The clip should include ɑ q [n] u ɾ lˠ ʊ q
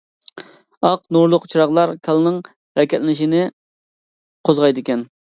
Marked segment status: correct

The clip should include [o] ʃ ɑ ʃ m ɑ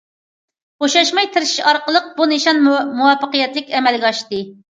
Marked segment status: correct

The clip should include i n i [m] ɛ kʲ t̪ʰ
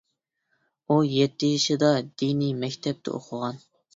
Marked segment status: correct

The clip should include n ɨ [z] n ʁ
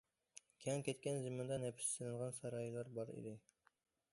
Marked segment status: incorrect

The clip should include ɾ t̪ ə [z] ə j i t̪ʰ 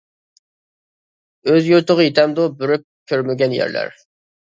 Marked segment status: incorrect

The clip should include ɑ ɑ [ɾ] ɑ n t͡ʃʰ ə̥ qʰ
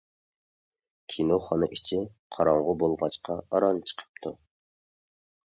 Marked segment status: correct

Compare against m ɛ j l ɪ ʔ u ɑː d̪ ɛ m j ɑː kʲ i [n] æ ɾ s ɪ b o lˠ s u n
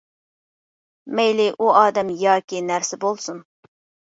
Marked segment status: correct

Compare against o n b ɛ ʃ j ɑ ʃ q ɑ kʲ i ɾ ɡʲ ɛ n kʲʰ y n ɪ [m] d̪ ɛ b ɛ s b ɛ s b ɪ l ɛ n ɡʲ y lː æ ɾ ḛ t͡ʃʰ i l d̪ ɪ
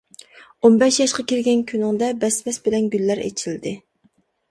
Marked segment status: incorrect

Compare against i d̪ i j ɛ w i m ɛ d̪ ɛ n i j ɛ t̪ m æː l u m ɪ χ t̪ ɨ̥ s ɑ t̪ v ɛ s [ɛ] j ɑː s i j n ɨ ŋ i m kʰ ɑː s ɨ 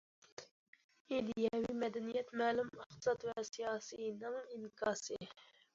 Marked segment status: incorrect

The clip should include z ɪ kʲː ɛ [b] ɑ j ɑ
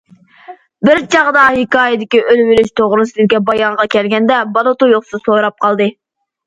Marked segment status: correct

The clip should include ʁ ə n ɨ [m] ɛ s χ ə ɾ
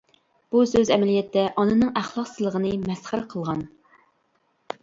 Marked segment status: correct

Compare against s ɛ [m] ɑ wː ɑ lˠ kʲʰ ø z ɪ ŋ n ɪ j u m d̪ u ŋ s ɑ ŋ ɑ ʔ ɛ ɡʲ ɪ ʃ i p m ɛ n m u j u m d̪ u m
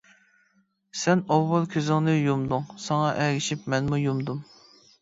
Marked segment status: incorrect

